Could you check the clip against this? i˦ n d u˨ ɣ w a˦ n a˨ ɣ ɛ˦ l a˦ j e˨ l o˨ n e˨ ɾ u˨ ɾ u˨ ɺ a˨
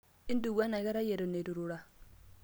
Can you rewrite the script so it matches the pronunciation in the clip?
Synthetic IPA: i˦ n d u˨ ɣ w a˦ n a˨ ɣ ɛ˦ ɾ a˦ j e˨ ɾ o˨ n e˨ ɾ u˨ ɾ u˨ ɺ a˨

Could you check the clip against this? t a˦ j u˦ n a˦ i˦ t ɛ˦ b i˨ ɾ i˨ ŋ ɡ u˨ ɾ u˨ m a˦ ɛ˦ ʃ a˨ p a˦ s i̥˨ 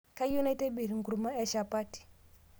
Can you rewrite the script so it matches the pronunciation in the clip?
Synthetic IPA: k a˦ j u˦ n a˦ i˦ t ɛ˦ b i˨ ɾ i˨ ŋ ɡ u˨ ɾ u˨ m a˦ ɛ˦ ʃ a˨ p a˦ t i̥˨

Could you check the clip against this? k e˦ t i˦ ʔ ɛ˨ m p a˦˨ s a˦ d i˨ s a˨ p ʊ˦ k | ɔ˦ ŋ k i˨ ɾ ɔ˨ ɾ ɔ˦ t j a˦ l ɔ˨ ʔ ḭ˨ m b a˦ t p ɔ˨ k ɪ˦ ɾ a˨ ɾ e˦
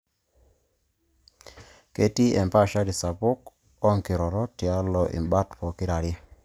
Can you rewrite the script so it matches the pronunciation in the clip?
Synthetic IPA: k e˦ t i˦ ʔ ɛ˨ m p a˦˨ ʃ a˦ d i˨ s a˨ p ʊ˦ k | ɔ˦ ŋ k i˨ ɾ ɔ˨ ɾ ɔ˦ t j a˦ l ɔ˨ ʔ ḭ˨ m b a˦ t p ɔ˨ k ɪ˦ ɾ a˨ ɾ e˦

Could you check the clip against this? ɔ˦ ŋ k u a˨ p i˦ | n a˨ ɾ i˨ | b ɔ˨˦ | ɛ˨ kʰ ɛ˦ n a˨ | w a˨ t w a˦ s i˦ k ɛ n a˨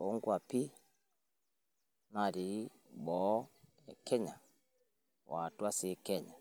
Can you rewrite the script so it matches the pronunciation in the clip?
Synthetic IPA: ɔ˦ ŋ ɡ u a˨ p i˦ | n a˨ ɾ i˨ | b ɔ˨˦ | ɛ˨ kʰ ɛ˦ ɲ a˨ | w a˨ t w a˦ s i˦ k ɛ ɲ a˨

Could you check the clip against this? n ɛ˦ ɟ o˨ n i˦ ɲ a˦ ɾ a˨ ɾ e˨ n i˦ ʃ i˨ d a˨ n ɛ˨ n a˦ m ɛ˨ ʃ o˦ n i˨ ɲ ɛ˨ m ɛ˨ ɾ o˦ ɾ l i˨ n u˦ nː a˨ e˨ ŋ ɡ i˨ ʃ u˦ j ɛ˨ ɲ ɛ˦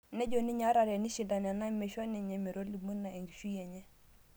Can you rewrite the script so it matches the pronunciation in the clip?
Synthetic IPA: n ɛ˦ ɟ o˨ n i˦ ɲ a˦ ɾ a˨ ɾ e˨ n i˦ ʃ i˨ d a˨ n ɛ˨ n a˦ m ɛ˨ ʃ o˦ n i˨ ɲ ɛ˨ m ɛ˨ ɾ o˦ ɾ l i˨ m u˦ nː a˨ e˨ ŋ ɡ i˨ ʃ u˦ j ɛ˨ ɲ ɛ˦

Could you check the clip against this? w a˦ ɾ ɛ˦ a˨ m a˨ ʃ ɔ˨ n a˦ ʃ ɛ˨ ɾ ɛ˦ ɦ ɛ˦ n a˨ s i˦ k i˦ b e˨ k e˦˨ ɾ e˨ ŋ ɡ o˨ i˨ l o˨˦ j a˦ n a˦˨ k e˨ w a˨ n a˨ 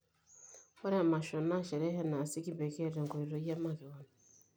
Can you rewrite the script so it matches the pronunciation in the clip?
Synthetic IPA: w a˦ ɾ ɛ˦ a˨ m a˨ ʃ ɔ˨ n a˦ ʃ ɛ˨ ɾ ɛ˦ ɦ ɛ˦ n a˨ s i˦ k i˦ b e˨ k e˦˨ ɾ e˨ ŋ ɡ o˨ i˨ ɾ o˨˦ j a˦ m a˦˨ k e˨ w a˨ n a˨

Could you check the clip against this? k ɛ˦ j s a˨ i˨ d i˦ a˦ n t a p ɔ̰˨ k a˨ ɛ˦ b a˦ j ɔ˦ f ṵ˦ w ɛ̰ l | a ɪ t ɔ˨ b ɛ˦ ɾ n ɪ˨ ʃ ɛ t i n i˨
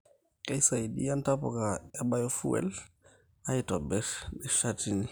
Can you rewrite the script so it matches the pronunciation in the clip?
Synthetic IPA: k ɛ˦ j s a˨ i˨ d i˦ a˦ n t a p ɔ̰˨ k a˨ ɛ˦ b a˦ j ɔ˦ f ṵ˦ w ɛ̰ l | a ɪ t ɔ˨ b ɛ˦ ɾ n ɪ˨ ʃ a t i n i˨

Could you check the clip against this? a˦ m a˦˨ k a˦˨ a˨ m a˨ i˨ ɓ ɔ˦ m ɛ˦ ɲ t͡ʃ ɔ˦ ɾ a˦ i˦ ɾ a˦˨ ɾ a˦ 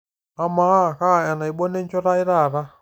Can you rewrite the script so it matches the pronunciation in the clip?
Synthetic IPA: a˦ m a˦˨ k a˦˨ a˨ n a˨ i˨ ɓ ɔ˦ n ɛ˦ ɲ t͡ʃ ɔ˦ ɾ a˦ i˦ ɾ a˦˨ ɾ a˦

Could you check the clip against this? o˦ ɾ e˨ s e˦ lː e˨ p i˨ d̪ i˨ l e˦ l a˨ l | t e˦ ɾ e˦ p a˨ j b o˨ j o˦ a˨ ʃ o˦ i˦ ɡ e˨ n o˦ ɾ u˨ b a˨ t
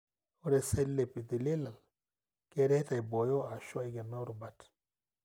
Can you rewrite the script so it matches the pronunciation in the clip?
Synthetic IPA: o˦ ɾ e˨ s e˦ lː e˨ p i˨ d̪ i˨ l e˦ l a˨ l | k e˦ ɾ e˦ t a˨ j b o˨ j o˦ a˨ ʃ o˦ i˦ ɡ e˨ n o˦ ɾ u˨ b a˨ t

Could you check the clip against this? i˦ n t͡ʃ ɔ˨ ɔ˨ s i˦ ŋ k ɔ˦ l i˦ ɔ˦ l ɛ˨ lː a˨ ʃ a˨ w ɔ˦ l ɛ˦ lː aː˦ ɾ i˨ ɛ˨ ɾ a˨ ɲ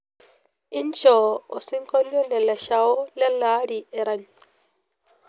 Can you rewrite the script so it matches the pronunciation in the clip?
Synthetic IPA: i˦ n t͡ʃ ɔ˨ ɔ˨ s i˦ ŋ k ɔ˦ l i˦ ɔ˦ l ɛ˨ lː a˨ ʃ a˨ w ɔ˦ l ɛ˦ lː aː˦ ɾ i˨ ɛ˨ ɾ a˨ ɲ

